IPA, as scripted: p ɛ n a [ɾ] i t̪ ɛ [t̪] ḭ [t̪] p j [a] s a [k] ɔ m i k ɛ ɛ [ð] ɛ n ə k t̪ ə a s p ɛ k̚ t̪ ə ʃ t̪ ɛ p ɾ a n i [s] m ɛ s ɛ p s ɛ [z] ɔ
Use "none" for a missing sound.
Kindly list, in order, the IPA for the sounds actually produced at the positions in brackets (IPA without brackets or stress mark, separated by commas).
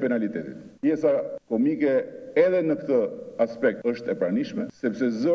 l, t̪, t̪, ɛ, k, ð, ʃ, z